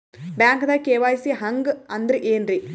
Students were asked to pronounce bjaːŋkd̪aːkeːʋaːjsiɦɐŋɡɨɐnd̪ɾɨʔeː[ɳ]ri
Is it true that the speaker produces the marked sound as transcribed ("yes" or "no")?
no